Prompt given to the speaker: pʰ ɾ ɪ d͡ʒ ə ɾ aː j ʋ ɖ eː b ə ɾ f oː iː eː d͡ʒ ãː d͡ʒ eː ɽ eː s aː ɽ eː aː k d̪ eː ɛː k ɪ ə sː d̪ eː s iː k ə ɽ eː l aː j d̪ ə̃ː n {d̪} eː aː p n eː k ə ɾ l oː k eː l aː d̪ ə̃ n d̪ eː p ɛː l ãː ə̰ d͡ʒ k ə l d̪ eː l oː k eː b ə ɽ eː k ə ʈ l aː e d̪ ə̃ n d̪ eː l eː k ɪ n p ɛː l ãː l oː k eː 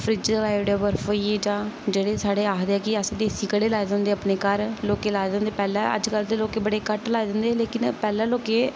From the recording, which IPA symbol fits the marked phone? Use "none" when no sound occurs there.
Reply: d̪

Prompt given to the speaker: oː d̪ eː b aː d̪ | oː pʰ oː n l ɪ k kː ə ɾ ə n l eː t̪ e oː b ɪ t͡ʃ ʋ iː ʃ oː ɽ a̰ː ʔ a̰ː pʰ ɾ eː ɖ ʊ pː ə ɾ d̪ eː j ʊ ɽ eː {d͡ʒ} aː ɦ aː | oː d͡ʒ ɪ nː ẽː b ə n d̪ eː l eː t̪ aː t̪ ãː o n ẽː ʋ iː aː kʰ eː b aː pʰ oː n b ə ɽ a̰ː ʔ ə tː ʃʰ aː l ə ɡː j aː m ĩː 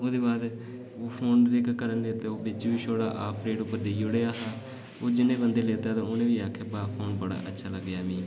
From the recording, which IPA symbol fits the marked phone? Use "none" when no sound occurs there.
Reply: none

